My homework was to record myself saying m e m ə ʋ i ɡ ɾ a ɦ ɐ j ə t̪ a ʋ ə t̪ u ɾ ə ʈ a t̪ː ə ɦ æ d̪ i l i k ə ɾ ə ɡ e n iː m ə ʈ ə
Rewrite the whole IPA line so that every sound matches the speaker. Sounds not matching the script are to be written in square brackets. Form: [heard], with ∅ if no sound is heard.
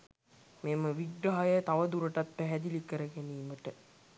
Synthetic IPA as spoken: m e m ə ʋ i ɡ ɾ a ɦ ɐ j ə t̪ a ʋ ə [d̪] u ɾ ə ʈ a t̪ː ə ɦ æ d̪ i l i k ə ɾ ə ɡ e n iː m ə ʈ ə